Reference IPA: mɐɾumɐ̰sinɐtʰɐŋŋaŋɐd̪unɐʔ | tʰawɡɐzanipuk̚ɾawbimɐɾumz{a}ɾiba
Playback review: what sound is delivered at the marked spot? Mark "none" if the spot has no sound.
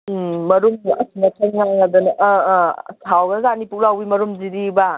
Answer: i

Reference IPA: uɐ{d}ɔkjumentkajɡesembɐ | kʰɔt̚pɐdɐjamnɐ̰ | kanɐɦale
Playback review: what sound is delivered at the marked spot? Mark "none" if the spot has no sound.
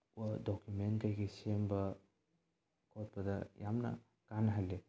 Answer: d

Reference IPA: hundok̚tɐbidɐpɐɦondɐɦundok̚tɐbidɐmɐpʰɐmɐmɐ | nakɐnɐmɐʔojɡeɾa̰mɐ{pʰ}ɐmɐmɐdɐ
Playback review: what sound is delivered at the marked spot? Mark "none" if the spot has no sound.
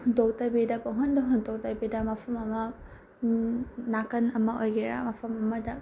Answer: pʰ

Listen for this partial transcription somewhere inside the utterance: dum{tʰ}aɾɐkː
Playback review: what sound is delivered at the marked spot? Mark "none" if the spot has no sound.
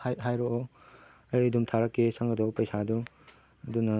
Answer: tʰ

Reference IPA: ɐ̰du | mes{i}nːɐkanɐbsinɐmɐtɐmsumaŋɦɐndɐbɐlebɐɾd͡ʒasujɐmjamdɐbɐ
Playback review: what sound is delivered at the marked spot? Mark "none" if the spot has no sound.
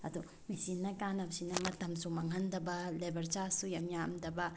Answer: i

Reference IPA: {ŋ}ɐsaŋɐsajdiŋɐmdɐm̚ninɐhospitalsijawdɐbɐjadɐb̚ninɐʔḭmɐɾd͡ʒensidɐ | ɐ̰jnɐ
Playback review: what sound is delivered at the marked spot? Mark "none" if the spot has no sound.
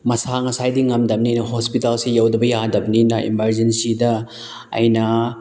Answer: m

